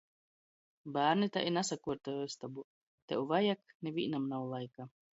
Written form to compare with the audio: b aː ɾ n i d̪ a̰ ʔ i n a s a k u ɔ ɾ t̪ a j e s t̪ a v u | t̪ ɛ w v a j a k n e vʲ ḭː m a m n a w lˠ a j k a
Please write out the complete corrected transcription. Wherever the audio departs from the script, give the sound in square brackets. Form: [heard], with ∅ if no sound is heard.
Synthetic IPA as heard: b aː ɾ n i [t̪] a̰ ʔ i n a s a k u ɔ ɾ t̪ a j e s t̪ a [b] u | t̪ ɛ w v a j a k n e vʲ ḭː [n] a m n a w lˠ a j k a